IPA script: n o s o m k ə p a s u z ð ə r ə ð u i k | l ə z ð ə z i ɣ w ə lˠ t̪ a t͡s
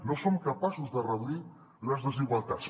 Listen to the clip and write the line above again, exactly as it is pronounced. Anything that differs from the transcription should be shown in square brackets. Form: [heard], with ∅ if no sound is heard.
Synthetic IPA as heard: n o s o m k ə p a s u z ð ə r ə ð u i [∅] | l ə z ð ə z i ɣ w [a] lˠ t̪ a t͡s